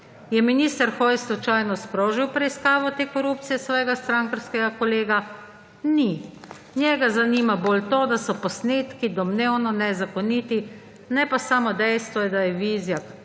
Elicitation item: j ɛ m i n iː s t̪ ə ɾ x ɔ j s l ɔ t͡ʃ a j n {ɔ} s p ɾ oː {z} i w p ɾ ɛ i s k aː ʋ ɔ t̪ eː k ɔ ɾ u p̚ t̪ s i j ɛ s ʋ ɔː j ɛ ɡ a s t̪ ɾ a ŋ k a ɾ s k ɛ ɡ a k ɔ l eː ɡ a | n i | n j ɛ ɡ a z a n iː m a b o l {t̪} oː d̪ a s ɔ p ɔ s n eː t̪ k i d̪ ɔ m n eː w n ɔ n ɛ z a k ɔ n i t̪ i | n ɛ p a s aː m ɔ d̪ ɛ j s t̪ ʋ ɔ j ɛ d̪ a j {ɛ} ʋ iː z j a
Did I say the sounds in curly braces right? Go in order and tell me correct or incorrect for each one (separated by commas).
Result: correct, incorrect, correct, correct